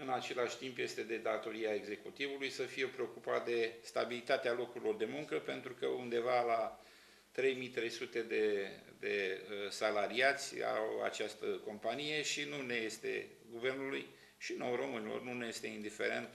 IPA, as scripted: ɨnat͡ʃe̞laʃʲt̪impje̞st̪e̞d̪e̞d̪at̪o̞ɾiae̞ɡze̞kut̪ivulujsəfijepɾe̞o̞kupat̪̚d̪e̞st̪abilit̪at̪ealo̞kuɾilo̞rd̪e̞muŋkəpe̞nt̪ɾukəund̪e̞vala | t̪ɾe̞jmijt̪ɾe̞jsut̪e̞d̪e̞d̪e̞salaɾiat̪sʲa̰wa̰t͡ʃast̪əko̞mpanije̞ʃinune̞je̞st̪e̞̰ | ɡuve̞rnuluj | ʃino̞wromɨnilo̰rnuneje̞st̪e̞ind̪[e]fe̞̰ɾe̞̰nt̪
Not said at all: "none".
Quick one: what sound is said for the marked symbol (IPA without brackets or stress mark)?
i